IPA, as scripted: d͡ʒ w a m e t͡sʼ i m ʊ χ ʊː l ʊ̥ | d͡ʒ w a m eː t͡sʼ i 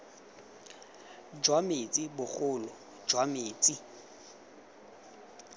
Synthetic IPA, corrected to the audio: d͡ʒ w a m e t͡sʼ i b ʊ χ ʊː l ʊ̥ | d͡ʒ w a m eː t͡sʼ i